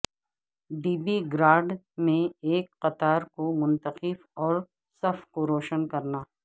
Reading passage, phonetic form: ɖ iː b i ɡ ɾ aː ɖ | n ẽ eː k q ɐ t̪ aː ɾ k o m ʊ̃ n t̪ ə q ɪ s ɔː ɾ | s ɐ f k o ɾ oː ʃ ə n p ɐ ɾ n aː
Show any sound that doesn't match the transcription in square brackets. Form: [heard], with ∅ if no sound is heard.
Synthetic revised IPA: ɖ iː b i ɡ ɾ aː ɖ | [m] ẽ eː k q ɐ t̪ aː ɾ k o m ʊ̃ n t̪ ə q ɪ [f] ɔː ɾ | s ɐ f k o ɾ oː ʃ ə n [k] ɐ ɾ n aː